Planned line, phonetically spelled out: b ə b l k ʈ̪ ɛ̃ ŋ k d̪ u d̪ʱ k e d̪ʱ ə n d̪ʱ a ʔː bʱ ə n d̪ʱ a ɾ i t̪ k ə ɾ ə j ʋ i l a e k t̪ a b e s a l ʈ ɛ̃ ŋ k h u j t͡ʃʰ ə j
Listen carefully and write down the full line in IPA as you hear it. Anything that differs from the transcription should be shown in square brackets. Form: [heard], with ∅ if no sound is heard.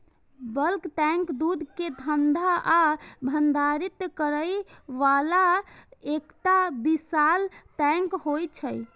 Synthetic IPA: b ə [∅] l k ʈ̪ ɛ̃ ŋ k d̪ u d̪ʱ k e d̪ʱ ə n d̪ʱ a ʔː bʱ ə n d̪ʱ a ɾ i t̪ k ə ɾ ə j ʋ [a] l a e k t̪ a b [i] s a l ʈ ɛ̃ ŋ k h [o] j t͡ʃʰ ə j

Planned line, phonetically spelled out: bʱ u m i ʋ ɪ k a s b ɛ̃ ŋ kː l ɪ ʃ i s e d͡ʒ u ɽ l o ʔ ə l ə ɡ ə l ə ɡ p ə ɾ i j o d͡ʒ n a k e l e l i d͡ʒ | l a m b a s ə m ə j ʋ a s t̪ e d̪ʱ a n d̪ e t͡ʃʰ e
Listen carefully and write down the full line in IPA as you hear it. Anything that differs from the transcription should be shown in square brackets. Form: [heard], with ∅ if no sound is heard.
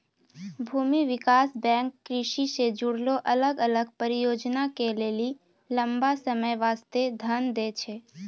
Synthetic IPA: bʱ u m i ʋ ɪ k a s b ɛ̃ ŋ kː [ɾ] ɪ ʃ i s e d͡ʒ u ɽ l o ʔ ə l ə ɡ ə l ə ɡ p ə ɾ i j o d͡ʒ n a k e l e l i [∅] | l [ə] m b a s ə m ə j ʋ a s t̪ e d̪ʱ [ə] n d̪ e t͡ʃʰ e

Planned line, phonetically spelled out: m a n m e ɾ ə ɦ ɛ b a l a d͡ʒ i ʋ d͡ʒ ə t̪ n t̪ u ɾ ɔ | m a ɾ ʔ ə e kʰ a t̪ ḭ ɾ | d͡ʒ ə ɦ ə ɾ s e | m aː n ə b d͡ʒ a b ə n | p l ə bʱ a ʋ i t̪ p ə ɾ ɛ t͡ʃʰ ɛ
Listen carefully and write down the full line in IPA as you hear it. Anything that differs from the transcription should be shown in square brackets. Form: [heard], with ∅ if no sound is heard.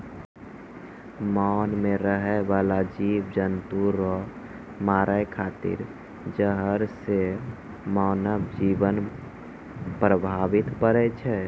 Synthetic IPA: m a n m e ɾ ə ɦ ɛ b a l a d͡ʒ i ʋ d͡ʒ ə [∅] n t̪ u ɾ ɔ | m a ɾ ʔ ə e kʰ a t̪ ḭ ɾ | d͡ʒ ə ɦ ə ɾ s e | m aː n ə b d͡ʒ [i] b ə n | p [ɾ] ə bʱ a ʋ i t̪ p ə ɾ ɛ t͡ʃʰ ɛ

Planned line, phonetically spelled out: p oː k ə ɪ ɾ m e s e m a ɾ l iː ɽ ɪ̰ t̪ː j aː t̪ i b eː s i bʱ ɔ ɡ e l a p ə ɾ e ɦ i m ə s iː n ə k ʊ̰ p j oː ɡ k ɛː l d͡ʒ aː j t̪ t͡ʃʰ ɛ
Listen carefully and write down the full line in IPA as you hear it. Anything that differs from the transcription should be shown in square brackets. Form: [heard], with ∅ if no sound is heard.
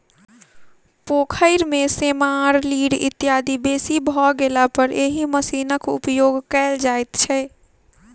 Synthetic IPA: p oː [kʰ] ə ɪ ɾ m e s e m a ɾ l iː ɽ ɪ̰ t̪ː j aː [d̪] i b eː s i bʱ ɔ ɡ e l a p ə ɾ e ɦ i m ə s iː n ə k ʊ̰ p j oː ɡ k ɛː l d͡ʒ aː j t̪ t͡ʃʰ ɛ

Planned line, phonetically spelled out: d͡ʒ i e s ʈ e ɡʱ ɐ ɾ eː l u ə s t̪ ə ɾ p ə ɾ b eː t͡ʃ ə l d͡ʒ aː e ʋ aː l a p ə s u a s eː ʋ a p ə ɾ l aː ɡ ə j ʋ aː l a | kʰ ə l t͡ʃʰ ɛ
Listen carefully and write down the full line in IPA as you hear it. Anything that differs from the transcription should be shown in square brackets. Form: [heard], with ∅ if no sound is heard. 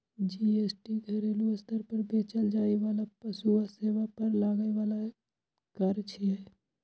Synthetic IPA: d͡ʒ i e s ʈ [i] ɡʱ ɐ ɾ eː l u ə s t̪ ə ɾ p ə ɾ b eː t͡ʃ ə l d͡ʒ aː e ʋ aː l a p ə s u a s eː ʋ a p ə ɾ l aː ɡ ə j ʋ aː l a | [k] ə [ɾ] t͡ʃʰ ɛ

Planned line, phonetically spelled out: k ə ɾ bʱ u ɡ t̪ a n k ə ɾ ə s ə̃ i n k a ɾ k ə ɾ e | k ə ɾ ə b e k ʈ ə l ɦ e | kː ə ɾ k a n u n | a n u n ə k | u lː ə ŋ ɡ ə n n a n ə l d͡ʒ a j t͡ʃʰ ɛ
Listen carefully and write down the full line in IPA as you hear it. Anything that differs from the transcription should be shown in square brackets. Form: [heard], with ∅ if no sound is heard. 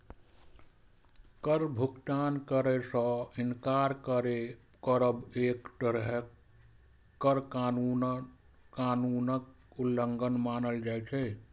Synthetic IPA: k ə ɾ bʱ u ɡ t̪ a n k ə ɾ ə s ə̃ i n k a ɾ k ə ɾ e | k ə ɾ ə b e k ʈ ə [ɾ] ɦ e | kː ə ɾ k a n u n | a n u n ə k | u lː ə ŋ ɡ ə n [m] a n ə l d͡ʒ a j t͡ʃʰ ɛ

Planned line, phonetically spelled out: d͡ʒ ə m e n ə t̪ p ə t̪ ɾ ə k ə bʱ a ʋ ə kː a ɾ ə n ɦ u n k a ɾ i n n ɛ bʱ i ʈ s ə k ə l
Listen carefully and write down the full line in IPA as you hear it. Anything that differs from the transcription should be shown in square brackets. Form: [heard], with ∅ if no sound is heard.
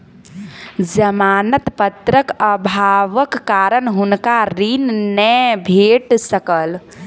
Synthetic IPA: d͡ʒ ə m [a] n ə t̪ p ə t̪ ɾ ə k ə bʱ a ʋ ə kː a ɾ ə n ɦ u n k a ɾ i n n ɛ bʱ [e] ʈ s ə k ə l

